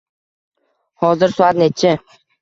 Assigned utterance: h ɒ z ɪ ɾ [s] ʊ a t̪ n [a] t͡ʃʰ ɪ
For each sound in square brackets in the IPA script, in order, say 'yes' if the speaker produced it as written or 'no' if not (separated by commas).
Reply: yes, no